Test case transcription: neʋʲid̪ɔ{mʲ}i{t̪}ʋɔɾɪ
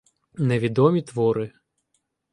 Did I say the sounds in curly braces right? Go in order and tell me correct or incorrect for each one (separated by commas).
correct, correct